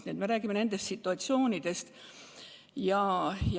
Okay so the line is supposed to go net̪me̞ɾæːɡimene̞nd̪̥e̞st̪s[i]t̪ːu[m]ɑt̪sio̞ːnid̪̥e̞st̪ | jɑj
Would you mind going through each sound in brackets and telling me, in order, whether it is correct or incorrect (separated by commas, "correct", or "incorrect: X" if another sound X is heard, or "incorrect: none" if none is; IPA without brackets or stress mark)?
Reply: correct, incorrect: none